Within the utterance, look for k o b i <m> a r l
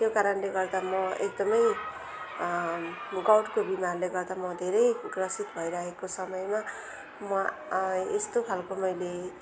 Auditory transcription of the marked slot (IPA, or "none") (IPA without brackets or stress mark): m